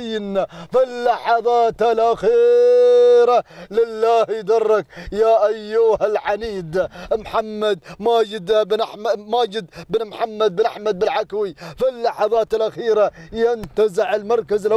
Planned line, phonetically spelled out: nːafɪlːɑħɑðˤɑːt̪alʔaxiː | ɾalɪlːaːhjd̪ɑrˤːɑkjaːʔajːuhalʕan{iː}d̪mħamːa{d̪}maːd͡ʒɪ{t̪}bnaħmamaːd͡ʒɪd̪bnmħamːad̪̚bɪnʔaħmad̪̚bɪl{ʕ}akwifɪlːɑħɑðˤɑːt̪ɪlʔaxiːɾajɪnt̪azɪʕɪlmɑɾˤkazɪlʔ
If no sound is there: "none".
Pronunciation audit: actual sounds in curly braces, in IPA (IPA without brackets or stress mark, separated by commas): iː, d̪, d̪, ʕ